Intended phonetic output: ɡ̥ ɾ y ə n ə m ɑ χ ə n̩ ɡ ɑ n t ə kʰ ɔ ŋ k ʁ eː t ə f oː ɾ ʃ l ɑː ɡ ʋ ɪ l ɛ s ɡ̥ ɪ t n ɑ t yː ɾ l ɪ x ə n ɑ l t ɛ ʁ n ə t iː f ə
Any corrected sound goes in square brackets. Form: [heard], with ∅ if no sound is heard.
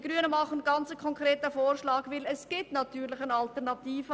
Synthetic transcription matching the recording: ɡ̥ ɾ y ə n ə m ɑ χ ə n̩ ɡ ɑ n [t͡s] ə kʰ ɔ ŋ k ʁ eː t ə f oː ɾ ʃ l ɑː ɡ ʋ ɪ l ɛ s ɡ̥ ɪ t n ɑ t yː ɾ l ɪ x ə n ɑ l t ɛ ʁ n [ɑ] t iː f ə